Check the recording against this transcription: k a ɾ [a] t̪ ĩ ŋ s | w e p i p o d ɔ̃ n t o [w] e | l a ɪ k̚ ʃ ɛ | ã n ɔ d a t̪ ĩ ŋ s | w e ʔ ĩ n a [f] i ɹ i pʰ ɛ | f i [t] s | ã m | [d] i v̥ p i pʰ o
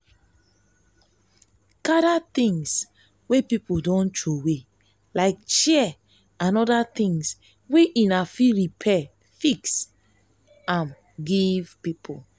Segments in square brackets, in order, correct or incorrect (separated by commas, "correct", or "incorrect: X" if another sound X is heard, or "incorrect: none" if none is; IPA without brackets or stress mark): correct, correct, correct, incorrect: k, incorrect: ɡ